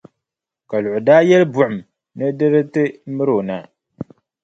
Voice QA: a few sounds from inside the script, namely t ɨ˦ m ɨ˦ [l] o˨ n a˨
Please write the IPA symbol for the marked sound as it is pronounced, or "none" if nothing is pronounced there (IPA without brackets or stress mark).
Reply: ɾ